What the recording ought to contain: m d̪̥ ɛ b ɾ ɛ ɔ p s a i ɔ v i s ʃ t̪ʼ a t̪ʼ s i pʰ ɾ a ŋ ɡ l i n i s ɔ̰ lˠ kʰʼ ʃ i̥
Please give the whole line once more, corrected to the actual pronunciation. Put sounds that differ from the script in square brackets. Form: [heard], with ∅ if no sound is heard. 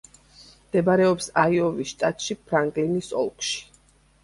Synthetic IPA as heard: m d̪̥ ɛ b ɾ ɛ ɔ p s a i ɔ v i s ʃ t̪ʼ a t̪ʼ [ʃ] i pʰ ɾ a ŋ ɡ l i n i s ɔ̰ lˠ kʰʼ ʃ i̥